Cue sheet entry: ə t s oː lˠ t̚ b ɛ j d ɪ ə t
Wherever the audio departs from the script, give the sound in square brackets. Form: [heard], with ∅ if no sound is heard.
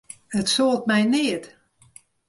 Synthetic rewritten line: ə t s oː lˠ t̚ [m] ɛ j [n] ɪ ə t